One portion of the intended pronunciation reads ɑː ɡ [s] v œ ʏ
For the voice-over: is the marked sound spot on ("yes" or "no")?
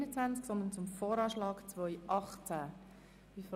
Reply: no